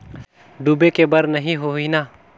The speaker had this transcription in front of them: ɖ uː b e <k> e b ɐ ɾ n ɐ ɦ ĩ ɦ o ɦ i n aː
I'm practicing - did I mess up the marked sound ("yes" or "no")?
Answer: no